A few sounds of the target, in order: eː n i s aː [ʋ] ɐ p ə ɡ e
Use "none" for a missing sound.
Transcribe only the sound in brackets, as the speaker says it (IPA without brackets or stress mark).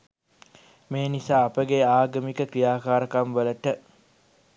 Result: none